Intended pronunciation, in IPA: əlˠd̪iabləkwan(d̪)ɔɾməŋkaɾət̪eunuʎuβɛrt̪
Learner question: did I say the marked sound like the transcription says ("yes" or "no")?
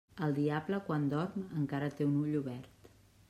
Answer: yes